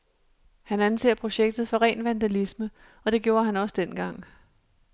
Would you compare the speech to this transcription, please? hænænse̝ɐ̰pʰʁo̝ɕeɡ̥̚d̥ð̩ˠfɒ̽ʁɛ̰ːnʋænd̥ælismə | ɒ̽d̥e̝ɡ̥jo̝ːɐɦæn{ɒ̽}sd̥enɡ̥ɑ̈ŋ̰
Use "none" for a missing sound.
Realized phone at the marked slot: ɒ̽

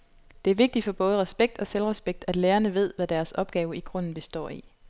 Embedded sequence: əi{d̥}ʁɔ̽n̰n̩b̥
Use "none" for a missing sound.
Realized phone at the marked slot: ɡ̥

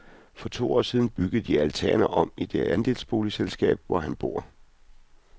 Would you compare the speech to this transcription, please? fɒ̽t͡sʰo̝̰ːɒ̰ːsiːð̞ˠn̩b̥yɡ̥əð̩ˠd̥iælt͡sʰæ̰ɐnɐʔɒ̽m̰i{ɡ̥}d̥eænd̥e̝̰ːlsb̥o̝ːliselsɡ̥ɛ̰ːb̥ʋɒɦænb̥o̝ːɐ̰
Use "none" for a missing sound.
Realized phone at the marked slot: none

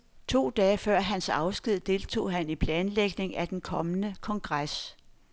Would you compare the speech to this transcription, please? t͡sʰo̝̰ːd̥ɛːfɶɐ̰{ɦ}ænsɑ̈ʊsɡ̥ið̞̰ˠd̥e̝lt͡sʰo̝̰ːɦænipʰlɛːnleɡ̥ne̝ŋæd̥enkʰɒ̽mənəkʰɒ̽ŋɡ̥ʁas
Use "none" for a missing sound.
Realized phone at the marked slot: ɦ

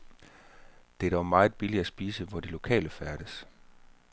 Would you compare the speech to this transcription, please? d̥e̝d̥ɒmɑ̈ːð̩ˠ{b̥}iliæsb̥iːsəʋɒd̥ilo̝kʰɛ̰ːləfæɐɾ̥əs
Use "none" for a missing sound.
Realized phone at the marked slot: b̥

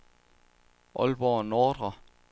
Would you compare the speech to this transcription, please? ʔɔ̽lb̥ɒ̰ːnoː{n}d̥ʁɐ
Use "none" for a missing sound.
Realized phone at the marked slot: none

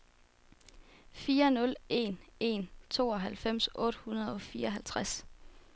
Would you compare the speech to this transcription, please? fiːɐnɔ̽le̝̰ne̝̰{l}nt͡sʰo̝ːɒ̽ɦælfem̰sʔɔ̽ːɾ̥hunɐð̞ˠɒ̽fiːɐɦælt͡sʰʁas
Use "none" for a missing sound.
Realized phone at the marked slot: none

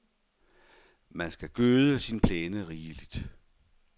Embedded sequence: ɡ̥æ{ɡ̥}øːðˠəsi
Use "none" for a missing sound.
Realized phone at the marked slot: ɡ̥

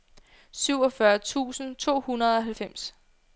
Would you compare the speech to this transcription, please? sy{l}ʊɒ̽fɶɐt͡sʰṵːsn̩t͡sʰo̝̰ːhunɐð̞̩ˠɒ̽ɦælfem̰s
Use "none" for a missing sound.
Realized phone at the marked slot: none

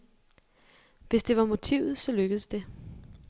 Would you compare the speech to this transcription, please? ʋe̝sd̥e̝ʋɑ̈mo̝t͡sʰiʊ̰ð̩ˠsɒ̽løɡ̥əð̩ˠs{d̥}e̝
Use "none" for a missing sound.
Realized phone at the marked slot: d̥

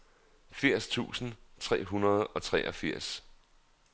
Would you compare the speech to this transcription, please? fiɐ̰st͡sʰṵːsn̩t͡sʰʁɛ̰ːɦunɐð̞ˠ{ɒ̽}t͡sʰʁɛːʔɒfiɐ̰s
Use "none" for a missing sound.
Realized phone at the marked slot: ɒ̽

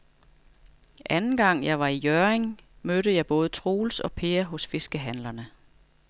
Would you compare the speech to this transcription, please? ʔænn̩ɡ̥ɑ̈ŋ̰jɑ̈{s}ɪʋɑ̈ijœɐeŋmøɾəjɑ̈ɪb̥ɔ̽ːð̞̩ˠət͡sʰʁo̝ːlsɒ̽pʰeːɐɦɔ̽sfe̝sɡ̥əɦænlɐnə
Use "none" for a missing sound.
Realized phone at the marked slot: none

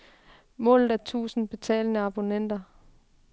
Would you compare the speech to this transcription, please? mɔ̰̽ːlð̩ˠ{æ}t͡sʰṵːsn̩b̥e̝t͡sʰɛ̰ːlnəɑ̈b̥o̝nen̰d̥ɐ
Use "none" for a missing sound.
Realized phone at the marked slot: æ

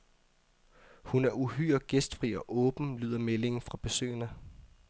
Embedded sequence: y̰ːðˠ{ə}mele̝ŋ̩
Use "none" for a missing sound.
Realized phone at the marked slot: ɐ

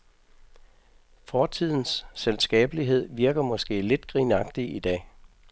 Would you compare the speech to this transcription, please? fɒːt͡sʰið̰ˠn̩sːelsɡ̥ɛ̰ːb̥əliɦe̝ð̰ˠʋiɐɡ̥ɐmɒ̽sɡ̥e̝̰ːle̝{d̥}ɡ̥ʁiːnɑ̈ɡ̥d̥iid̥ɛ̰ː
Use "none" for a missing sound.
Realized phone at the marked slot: d̥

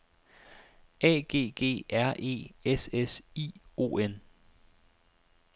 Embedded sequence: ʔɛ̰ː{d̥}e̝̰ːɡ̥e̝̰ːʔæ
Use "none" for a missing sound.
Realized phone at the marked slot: ɡ̥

